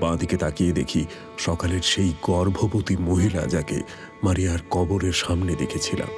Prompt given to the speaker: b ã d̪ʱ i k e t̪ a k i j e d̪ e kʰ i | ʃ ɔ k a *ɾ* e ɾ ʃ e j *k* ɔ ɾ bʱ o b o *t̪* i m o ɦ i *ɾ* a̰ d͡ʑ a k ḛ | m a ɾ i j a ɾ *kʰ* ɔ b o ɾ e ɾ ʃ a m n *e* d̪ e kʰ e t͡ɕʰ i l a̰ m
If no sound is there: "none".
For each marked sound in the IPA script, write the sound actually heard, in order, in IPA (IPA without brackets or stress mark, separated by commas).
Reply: l, ɡ, t̪, l, k, e